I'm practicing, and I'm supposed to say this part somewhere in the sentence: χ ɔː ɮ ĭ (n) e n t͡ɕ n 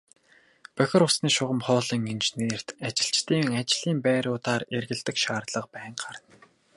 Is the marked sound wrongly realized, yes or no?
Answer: yes